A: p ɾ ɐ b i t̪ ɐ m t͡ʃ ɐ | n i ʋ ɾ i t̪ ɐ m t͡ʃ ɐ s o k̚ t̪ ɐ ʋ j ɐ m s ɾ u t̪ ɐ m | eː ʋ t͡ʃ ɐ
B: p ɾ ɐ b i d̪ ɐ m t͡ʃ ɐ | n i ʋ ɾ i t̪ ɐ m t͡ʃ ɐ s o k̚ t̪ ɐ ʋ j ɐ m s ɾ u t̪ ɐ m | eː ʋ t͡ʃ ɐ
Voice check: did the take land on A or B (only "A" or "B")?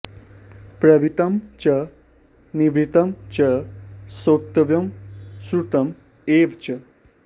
A